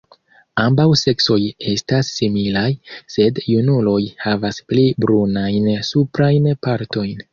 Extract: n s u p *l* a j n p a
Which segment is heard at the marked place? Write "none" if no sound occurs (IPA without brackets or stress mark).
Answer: ɾ